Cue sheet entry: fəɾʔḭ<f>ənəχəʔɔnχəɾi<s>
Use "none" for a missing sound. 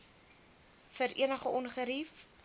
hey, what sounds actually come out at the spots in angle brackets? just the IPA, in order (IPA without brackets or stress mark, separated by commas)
none, f